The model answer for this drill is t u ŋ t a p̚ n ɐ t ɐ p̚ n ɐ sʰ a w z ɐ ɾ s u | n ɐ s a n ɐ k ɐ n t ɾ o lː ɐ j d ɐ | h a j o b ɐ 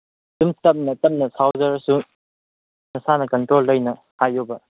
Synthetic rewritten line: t u m t ɐ p̚ n ɐ t ɐ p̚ n ɐ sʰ a w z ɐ ɾ s u | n ɐ s a n ɐ k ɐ n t ɾ o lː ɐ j n ɐ | h a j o b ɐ